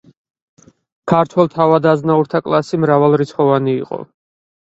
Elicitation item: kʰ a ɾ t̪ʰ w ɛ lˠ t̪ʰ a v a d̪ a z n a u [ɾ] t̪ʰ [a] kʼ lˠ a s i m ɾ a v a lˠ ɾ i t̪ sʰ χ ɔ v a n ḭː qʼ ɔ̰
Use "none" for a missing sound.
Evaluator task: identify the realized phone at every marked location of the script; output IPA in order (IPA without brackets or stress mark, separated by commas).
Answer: ɾ, a